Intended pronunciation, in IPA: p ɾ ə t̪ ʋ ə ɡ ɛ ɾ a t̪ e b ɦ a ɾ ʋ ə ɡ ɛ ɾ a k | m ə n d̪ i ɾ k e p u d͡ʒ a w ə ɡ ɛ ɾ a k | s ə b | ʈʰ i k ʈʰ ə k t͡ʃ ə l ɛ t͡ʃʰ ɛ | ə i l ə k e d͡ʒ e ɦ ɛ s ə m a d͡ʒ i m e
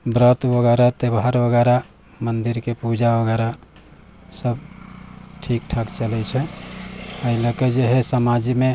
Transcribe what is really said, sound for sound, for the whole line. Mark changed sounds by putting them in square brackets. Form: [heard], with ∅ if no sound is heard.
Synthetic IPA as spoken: [b] ɾ ə t̪ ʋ ə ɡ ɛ ɾ a t̪ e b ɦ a ɾ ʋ ə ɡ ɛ ɾ a [∅] | m ə n d̪ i ɾ k e p u d͡ʒ a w ə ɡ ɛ ɾ a [∅] | s ə b | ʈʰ i k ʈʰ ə k t͡ʃ ə l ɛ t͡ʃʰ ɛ | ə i l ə k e d͡ʒ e ɦ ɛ s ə m a d͡ʒ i m e